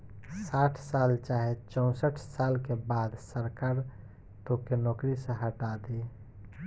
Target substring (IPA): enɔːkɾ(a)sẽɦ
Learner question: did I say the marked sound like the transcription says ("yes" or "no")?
no